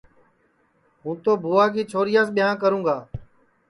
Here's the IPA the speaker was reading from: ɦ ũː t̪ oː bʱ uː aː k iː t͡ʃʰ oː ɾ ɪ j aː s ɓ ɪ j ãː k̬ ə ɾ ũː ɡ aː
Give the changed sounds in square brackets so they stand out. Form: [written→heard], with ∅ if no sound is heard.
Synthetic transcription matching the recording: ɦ ũː t̪ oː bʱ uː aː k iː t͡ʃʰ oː ɾ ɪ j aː s ɓ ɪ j ãː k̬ ə ɾ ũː ɡ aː

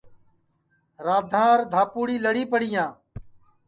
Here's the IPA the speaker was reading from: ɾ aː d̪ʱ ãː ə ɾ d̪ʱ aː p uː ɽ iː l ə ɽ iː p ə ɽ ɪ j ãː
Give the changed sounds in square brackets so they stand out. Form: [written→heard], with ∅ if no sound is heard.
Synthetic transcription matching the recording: ɾ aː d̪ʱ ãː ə ɾ d̪ʱ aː p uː ɽ iː l ə ɽ iː p ə ɽ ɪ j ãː

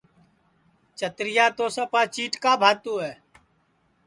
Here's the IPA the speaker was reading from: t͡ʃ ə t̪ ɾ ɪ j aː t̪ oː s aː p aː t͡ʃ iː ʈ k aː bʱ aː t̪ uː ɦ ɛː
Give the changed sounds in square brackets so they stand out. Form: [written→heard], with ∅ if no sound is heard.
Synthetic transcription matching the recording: t͡ʃ ə t̪ ɾ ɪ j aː t̪ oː s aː p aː t͡ʃ iː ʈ k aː bʱ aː t̪ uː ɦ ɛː

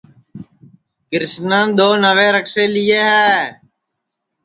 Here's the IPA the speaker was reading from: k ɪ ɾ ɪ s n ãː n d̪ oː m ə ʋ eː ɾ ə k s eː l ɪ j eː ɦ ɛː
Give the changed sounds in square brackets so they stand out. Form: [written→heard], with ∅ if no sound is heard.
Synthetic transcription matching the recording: k ɪ ɾ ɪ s n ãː n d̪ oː [m→n] ə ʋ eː ɾ ə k s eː l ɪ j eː ɦ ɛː

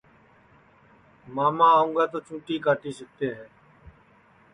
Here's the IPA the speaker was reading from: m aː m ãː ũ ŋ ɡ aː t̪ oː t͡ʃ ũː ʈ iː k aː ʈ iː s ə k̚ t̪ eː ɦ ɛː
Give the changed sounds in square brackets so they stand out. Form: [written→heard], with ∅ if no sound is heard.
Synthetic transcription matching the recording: m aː m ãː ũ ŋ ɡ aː t̪ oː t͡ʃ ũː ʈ iː k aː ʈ iː s ə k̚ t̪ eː ɦ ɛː

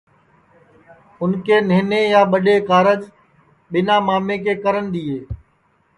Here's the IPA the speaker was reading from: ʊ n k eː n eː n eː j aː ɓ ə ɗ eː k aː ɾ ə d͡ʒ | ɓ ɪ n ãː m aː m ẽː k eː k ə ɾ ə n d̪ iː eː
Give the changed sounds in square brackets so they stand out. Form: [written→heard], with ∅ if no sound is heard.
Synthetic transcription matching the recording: ʊ n k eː n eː n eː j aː ɓ ə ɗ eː k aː ɾ ə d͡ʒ | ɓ ɪ n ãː m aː m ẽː k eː k ə ɾ ə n d̪ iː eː

